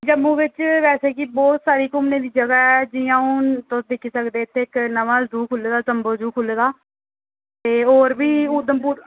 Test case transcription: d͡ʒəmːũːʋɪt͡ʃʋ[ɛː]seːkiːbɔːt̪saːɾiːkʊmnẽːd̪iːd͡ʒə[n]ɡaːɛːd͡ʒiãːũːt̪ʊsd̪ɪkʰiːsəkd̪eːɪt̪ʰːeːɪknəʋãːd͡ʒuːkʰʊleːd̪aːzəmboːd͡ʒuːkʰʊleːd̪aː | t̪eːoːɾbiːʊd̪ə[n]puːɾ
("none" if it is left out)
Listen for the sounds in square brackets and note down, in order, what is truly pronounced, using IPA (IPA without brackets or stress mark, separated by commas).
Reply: ɛː, none, m